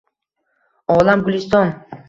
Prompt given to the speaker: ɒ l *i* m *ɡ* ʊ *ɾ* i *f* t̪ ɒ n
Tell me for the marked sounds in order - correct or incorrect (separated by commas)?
incorrect, correct, incorrect, incorrect